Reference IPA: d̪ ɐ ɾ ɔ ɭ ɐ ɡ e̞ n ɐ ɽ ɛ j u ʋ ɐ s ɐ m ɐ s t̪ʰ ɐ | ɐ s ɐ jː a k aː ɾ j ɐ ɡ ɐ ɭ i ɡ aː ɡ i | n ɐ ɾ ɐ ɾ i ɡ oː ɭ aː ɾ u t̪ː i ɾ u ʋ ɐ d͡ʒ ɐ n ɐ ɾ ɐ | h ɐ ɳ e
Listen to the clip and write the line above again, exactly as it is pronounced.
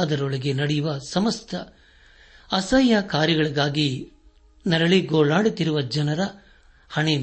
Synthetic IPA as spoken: d̪ ɐ ɾ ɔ ɭ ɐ ɡ e̞ n ɐ ɽ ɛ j u ʋ ɐ s ɐ m ɐ s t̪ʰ ɐ | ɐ s ɐ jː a k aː ɾ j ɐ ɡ ɐ ɭ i ɡ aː ɡ i | n ɐ ɾ ɐ ɭ i ɡ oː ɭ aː ɽ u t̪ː i ɾ u ʋ ɐ d͡ʒ ɐ n ɐ ɾ ɐ | h ɐ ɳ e